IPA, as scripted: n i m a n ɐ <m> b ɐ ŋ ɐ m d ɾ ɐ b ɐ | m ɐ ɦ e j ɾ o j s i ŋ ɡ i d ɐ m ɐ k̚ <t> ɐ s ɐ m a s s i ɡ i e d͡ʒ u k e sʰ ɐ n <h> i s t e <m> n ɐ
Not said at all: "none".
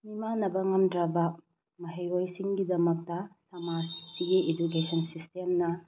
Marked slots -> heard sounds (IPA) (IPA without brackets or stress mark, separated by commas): none, t, s, m